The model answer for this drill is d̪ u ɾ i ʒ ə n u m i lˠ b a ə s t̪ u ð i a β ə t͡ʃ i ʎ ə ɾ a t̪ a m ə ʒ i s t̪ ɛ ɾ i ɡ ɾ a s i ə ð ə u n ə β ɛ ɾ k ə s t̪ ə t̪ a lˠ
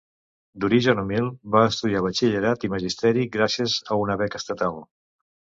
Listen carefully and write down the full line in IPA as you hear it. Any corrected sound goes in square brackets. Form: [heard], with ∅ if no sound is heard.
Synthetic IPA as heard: d̪ u ɾ i ʒ ə n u m i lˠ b a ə s t̪ u ð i a β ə t͡ʃ i ʎ ə ɾ a t̪ [i] m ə ʒ i s t̪ ɛ ɾ i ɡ ɾ a s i ə [z] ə u n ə β ɛ [∅] k ə s t̪ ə t̪ a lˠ